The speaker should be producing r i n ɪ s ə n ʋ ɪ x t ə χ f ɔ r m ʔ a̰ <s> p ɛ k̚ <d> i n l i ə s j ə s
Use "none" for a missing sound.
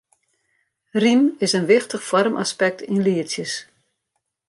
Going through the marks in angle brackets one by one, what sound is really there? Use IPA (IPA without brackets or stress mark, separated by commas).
s, t